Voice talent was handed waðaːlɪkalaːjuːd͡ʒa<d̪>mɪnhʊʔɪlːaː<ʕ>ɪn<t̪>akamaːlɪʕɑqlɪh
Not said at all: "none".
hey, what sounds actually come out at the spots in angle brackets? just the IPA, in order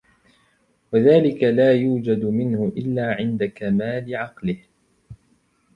d̪, ʕ, d̪

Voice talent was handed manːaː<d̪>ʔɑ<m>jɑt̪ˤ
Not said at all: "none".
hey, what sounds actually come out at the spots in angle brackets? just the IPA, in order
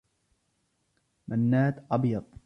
t̪, b

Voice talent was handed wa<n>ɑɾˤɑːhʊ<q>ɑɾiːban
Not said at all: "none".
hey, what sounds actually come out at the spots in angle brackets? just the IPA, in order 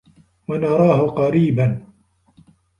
n, q

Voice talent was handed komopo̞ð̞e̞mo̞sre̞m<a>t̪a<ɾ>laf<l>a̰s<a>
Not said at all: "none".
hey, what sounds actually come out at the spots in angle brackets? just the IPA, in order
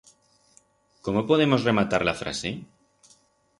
a, ɾ, ɾ, e

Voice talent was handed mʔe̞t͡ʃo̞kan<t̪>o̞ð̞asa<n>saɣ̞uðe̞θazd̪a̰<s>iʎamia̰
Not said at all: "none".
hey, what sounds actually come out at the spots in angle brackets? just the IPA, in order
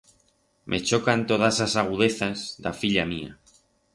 t̪, none, f

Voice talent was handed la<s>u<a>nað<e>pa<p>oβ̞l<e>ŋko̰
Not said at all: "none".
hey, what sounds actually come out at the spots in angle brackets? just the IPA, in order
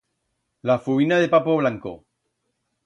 f, i, e, p, a

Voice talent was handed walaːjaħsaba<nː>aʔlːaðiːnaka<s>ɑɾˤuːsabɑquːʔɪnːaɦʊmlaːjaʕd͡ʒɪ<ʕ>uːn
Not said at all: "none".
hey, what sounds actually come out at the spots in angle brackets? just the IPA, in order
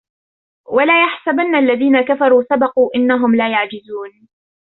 nː, f, z

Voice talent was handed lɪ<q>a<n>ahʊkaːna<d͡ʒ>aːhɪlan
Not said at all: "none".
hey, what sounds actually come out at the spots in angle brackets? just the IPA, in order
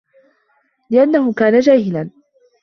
ʔ, nː, d͡ʒ

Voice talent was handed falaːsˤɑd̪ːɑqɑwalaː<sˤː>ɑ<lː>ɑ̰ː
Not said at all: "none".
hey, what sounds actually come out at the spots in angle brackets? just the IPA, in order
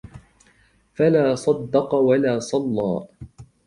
sˤ, lː

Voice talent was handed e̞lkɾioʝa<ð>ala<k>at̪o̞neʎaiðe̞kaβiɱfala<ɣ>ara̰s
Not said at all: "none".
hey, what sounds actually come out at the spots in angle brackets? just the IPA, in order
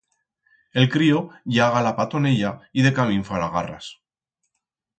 ɣ, p, ɣ

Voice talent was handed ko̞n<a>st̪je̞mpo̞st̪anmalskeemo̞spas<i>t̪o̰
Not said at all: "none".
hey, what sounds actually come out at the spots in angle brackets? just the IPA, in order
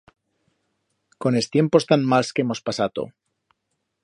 e, a

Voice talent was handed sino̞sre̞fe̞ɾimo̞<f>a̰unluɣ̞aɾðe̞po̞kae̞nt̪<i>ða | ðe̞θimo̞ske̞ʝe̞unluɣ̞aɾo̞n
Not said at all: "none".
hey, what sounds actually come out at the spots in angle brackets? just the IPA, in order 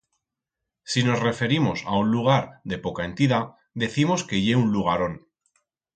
s, i

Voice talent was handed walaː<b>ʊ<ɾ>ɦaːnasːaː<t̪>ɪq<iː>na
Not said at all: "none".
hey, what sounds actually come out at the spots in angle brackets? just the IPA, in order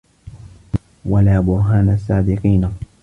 b, ɾ, d̪, iː

